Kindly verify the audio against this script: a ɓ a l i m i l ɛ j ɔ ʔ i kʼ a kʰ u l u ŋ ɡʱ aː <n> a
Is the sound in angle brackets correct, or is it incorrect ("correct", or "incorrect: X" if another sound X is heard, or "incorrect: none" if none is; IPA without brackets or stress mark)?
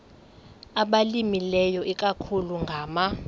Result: incorrect: m